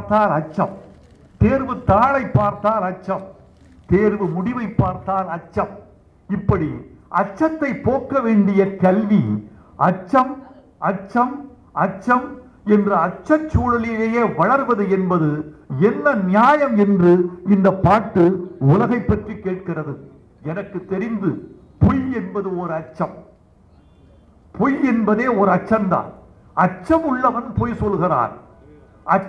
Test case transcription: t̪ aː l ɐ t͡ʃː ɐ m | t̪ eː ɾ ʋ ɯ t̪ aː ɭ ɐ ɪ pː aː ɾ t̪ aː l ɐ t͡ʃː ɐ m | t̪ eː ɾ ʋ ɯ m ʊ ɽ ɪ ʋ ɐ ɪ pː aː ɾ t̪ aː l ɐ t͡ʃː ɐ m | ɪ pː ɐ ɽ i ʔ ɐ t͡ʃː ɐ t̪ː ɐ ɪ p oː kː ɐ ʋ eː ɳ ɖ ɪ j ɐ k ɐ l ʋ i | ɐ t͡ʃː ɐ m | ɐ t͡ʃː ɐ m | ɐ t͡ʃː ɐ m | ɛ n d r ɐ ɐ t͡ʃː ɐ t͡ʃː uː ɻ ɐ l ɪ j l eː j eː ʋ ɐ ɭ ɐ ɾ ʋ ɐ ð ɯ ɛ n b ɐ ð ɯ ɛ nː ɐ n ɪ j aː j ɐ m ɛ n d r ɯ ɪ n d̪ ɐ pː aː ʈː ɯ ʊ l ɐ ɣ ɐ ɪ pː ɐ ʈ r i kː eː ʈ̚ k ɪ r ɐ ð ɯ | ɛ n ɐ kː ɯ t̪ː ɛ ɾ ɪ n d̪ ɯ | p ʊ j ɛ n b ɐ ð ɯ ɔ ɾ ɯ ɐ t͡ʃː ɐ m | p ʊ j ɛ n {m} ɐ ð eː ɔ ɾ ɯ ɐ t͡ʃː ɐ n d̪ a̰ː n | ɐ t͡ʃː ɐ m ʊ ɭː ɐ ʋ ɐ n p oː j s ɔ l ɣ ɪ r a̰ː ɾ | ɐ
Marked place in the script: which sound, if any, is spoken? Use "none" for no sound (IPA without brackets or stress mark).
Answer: b